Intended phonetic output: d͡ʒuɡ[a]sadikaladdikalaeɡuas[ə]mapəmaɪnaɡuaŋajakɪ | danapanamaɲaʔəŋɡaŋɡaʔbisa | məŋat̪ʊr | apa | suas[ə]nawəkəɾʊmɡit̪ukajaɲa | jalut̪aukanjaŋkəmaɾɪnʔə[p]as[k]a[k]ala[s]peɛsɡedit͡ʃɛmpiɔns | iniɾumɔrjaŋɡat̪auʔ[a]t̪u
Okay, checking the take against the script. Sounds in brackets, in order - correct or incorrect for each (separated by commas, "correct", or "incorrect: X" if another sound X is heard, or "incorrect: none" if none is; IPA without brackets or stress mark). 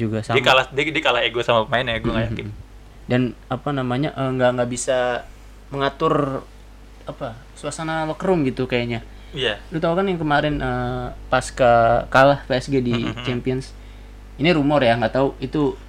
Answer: correct, incorrect: a, incorrect: a, correct, correct, correct, incorrect: h, incorrect: i